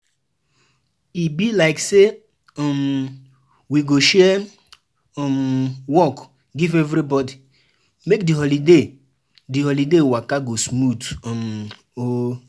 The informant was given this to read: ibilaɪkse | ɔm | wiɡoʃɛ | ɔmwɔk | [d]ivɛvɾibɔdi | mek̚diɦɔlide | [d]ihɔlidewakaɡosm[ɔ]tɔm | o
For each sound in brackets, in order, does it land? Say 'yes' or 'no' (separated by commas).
no, yes, no